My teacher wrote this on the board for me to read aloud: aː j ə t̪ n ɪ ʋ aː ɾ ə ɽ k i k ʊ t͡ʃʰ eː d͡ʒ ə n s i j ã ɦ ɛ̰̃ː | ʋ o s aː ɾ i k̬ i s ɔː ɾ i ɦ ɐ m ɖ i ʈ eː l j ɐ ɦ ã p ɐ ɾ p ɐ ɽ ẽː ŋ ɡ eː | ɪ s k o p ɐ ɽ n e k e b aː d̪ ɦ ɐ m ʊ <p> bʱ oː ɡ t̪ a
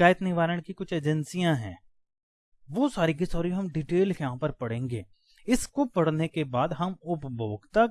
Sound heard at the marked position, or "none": p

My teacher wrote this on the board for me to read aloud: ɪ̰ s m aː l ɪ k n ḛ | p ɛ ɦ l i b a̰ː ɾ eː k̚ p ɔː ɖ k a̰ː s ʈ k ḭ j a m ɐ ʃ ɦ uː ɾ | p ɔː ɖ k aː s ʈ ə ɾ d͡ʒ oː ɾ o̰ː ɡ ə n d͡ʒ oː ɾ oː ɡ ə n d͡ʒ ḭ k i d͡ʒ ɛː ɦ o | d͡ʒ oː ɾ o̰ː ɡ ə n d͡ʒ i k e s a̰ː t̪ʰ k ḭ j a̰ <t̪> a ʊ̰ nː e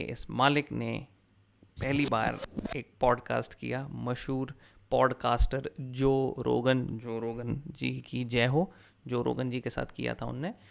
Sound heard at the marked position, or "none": t̪ʰ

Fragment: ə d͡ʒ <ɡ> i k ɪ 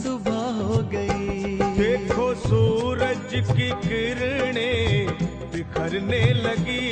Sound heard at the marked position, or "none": k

